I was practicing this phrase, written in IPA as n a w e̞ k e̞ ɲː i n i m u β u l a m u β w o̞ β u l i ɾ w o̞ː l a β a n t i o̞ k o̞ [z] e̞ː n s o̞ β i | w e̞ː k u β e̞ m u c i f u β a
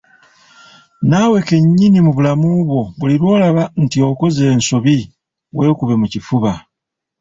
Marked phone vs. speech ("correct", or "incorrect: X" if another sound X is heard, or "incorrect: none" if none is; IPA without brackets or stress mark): correct